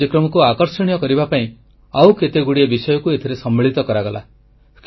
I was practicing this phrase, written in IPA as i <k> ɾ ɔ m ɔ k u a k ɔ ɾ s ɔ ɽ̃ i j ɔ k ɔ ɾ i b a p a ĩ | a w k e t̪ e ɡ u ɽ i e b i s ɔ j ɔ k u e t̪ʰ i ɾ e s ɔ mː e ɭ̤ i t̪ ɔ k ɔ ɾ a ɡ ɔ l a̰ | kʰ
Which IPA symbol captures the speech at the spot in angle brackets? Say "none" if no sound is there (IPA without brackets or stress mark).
k